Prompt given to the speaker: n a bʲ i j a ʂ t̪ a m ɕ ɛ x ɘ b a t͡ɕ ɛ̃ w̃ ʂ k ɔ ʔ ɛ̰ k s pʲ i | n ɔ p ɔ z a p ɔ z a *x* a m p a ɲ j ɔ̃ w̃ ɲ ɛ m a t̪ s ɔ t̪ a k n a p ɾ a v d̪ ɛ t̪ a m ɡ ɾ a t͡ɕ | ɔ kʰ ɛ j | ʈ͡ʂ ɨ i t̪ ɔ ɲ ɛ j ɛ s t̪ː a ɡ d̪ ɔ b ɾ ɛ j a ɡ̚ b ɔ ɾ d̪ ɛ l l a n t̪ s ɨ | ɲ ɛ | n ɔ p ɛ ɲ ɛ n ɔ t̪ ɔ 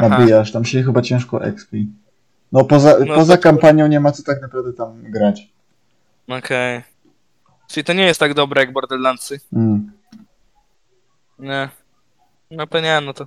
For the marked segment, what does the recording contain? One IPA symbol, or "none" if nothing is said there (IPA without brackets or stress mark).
k